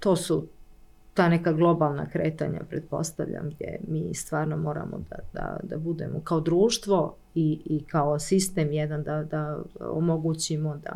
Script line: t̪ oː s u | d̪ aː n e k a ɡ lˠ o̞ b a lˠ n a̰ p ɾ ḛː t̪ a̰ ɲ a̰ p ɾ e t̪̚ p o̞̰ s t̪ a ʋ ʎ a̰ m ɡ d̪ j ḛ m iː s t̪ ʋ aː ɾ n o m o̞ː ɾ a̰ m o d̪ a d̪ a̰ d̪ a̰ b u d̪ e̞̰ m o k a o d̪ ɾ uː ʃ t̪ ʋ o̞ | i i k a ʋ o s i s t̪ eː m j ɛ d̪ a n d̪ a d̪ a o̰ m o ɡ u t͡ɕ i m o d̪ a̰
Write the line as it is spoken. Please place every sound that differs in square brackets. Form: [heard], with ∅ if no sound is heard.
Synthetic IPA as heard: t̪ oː s u | [t̪] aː n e k a ɡ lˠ o̞ b a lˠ n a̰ [k] ɾ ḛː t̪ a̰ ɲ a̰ p ɾ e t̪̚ p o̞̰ s t̪ a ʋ ʎ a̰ m ɡ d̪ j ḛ m iː s t̪ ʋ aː ɾ n o m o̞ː ɾ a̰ m o d̪ a d̪ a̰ d̪ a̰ b u d̪ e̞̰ m o k a o d̪ ɾ uː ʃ t̪ ʋ o̞ | i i k a [∅] o s i s t̪ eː m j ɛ d̪ a n d̪ a d̪ a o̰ m o ɡ u t͡ɕ i m o d̪ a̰